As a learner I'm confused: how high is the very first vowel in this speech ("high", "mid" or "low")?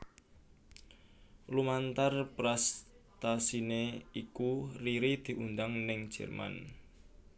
high